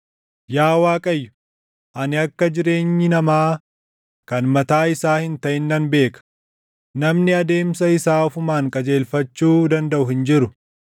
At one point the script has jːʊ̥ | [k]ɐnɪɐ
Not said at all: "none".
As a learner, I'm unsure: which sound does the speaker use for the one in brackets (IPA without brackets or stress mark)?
ʔ